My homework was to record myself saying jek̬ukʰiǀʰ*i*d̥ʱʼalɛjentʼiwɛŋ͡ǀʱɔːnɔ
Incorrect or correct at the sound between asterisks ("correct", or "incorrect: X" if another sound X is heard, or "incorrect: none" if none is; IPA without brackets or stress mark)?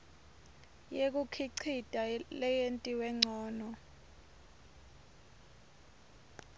correct